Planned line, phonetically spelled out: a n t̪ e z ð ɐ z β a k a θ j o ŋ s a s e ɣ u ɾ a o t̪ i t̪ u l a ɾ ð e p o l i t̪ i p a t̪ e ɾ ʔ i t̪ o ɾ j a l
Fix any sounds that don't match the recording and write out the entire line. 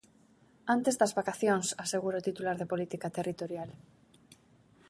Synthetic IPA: a n t̪ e z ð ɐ z β a k a θ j o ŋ s a s e ɣ u ɾ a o t̪ i t̪ u l a ɾ ð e p o l i t̪ i k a t̪ e r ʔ i t̪ o ɾ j a l